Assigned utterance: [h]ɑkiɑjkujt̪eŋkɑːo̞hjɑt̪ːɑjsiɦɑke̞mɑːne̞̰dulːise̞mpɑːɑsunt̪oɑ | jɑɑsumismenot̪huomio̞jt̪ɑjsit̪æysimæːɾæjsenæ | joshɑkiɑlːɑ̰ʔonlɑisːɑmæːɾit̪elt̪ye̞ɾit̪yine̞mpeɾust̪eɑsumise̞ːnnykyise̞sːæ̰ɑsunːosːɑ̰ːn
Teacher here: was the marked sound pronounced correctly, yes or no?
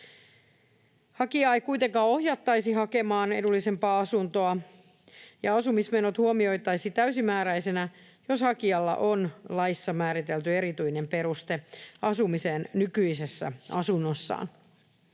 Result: yes